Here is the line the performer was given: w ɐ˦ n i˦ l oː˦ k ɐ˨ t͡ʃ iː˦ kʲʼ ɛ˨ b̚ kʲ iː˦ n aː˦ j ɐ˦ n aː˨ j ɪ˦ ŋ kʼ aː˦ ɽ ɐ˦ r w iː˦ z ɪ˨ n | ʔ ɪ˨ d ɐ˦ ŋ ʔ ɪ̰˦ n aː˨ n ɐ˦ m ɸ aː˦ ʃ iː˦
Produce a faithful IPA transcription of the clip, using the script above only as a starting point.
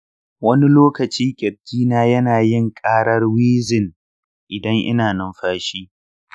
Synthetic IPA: w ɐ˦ n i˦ l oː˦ k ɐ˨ t͡ʃ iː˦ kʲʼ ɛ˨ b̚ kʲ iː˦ n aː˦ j ɐ˦ n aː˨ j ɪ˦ ŋ kʼ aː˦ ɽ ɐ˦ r w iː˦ z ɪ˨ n | ʔ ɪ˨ d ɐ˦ ŋ ʔ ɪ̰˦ n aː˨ n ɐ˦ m ɸ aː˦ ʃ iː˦